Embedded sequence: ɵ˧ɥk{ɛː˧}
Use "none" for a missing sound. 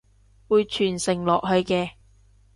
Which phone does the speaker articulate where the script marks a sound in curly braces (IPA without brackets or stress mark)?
ɛː˧